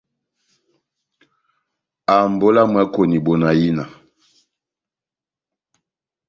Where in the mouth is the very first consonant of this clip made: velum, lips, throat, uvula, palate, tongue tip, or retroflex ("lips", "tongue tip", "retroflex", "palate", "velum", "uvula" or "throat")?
lips